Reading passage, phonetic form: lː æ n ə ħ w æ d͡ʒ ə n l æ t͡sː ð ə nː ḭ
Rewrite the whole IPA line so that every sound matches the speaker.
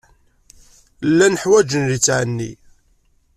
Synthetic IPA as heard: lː æ n ə ħ w æ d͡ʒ ə n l i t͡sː ʕ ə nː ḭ